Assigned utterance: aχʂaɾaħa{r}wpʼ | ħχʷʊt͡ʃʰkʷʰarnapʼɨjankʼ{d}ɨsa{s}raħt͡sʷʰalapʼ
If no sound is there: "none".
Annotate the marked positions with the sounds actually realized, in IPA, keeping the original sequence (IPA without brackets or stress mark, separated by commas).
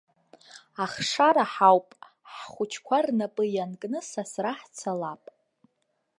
none, n, s